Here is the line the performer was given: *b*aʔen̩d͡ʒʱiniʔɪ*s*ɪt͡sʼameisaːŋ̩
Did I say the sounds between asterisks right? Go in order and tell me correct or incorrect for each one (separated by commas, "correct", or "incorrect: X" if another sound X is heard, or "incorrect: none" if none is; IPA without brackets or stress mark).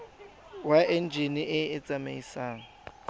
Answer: incorrect: w, incorrect: none